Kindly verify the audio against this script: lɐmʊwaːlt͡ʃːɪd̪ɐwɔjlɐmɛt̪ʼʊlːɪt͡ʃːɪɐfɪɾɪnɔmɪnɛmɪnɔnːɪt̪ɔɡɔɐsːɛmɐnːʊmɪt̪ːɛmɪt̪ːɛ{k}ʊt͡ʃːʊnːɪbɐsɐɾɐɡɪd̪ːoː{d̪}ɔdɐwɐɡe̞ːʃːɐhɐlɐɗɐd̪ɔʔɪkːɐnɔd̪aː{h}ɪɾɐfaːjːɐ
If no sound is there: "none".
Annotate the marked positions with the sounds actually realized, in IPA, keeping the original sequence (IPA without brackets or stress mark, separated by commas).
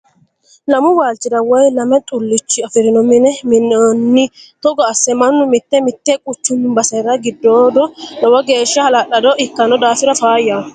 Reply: kʼ, d̪, f